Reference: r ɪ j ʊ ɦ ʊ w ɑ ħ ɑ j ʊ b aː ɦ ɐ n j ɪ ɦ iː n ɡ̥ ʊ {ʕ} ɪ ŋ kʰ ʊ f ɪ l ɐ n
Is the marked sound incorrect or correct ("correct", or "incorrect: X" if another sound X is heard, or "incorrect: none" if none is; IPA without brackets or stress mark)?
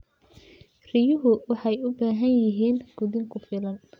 incorrect: ð